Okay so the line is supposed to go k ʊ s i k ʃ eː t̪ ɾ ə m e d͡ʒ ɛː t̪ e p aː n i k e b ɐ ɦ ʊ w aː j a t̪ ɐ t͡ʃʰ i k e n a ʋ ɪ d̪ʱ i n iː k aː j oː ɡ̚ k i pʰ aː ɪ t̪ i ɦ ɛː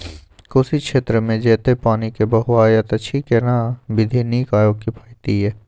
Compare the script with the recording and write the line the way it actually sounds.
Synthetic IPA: k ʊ s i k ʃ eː t̪ ɾ ə m ẽ d͡ʒ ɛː t̪ e p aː n i k e b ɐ ɦ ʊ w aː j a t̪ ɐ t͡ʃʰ i k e n a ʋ ɪ d̪ʱ i n iː k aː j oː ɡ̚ k i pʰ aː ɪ t̪ i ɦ ɛː

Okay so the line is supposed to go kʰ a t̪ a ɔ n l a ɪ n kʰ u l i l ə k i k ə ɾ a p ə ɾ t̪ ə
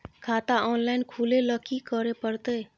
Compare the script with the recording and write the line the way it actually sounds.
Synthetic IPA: kʰ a t̪ a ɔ n l a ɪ n kʰ u l e l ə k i k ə ɾ e p ə ɾ t̪ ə

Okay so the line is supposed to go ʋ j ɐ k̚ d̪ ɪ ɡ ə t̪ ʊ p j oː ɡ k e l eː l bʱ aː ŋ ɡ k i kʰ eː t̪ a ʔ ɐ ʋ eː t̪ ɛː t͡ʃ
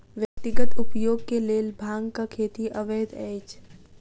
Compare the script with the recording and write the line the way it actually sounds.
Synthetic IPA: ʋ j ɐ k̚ t̪ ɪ ɡ ə t̪ ʊ p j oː ɡ k e l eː l bʱ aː ŋ ɡ k a kʰ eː t̪ i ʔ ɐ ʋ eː d̪ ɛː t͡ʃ

